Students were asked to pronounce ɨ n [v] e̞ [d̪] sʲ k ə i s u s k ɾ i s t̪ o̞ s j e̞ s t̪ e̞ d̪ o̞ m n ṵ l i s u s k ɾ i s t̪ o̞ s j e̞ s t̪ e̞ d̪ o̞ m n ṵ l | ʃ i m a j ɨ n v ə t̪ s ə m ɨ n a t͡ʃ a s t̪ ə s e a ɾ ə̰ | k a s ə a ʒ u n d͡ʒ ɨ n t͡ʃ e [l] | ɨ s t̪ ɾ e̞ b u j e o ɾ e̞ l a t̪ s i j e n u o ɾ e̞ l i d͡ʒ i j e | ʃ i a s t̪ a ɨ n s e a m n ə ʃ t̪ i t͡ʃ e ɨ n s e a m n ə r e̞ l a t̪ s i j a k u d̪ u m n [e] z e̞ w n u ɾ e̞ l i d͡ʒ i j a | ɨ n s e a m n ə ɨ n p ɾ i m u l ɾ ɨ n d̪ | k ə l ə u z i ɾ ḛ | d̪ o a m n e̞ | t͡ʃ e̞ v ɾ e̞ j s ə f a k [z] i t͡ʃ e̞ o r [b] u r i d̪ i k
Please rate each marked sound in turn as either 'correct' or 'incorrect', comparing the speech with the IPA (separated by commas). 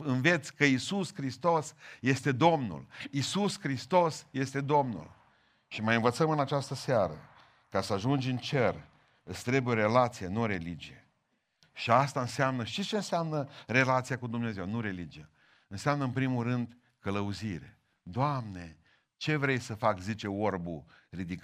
correct, incorrect, incorrect, correct, correct, correct